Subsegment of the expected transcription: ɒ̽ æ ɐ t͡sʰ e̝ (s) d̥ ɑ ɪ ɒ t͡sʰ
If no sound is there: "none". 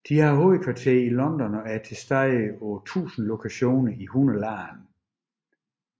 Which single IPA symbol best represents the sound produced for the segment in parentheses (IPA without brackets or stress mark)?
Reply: s